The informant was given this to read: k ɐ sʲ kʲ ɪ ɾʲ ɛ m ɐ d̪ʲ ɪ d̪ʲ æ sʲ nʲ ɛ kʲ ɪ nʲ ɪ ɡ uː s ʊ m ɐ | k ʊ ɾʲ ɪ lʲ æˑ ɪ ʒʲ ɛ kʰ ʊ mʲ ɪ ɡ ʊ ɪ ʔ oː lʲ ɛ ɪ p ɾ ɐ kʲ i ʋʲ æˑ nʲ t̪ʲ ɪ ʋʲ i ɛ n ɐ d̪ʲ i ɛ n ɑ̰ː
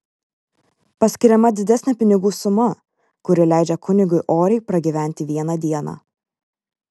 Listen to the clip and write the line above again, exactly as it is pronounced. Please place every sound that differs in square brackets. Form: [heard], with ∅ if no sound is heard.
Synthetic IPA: [p] ɐ sʲ kʲ ɪ ɾʲ ɛ m ɐ d̪ʲ ɪ d̪ʲ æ sʲ nʲ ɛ [pʲ] ɪ nʲ ɪ ɡ uː s ʊ m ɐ | k ʊ ɾʲ ɪ lʲ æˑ ɪ [d͡ʒʲ] ɛ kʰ ʊ [nʲ] ɪ ɡ ʊ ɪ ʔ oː [ɾʲ] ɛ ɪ p ɾ ɐ [ɡʲ] i ʋʲ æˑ nʲ t̪ʲ ɪ ʋʲ i ɛ n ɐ d̪ʲ i ɛ n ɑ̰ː